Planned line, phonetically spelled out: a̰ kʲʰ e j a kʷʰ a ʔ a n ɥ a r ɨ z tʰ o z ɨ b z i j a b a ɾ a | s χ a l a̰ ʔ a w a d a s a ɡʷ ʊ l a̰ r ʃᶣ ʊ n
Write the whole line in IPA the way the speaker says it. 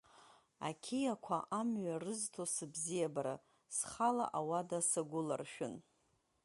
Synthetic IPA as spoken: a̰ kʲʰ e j a kʷʰ a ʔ a m ɥ a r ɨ z tʰ o s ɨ b z i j a b a ɾ a | s χ a l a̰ ʔ a w a d a s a ɡʷ ʊ l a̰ r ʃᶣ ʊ n